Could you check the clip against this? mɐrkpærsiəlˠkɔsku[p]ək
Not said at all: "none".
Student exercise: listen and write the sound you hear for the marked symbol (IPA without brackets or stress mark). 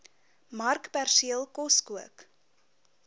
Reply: none